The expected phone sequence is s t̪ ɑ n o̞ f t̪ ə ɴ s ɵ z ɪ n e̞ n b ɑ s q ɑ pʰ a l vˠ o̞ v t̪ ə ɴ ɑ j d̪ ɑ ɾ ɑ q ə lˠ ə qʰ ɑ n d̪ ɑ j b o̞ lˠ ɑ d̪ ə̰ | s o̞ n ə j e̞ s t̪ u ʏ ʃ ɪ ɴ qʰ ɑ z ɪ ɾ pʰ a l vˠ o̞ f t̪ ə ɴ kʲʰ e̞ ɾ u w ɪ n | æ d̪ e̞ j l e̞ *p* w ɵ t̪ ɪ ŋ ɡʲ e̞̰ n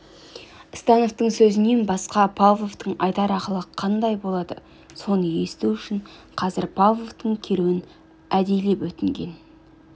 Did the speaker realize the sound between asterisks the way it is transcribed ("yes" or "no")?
yes